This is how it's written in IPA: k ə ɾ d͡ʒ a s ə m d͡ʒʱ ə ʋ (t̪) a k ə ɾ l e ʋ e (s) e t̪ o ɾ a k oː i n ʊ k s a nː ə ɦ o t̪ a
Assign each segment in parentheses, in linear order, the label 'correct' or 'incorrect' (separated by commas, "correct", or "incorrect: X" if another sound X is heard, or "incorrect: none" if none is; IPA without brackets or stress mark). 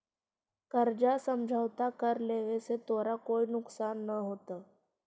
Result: correct, correct